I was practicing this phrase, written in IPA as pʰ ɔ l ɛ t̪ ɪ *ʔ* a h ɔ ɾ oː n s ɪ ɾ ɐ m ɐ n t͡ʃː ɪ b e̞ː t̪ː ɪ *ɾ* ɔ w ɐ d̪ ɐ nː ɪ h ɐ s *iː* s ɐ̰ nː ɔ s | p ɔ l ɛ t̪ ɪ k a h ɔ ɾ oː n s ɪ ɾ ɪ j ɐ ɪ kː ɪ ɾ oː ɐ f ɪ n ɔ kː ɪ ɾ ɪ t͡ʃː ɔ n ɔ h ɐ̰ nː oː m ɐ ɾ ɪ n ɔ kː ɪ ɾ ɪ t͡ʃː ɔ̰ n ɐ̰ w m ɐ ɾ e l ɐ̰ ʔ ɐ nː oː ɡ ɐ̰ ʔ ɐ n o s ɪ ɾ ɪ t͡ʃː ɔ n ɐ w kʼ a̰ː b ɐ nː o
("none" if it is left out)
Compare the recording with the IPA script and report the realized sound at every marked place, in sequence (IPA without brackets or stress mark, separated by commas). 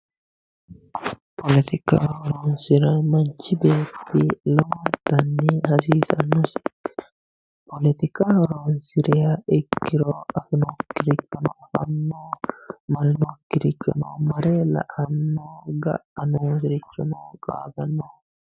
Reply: k, l, iː